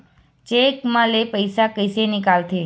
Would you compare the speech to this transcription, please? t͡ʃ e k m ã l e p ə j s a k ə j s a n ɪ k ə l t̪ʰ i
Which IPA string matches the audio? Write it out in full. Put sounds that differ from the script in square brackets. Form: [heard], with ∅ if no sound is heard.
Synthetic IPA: t͡ʃ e k m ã l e p ə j s a k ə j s [e] n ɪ k [a] l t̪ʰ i